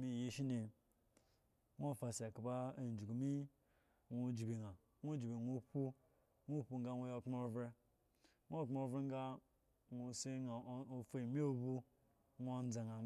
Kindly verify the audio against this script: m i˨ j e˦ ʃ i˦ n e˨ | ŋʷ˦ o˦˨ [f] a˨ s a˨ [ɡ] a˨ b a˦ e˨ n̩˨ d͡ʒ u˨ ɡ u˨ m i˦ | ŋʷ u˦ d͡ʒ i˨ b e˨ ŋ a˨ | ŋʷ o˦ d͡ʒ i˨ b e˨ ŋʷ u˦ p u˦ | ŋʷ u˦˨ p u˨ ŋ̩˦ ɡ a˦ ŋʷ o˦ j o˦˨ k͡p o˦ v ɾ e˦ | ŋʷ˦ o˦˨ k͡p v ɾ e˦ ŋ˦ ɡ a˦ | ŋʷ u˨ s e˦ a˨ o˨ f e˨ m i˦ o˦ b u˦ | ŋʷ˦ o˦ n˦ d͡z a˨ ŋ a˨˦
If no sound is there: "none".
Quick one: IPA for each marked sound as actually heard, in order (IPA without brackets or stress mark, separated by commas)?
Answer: f, k